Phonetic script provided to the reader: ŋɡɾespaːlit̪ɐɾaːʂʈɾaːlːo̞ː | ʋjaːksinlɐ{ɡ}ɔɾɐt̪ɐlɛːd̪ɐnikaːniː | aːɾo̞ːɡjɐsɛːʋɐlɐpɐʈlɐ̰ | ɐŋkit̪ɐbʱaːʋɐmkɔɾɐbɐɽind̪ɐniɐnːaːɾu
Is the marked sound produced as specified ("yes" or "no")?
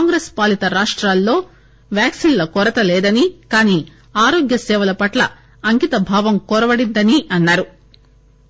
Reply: no